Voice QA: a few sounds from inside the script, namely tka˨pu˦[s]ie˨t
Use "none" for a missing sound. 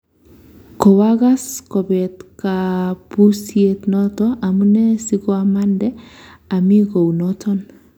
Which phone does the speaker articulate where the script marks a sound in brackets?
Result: s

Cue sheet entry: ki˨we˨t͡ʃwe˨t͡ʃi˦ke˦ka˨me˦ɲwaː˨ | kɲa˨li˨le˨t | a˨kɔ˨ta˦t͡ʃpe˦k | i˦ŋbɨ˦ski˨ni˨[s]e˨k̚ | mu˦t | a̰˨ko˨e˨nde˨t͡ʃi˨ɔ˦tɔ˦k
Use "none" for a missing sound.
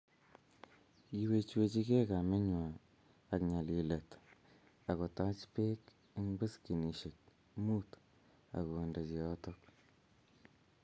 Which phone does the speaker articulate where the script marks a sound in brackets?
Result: ʃ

